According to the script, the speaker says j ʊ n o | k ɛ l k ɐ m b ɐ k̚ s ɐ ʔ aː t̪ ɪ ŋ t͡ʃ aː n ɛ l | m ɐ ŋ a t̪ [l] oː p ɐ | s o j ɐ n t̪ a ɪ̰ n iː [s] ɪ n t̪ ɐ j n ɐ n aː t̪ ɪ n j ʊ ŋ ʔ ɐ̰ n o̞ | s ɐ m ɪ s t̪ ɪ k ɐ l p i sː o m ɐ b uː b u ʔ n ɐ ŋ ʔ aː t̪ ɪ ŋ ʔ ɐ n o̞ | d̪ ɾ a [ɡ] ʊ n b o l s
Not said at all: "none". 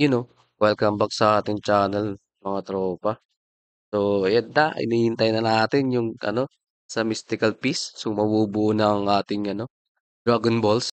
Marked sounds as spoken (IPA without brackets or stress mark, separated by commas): ɾ, h, ɡ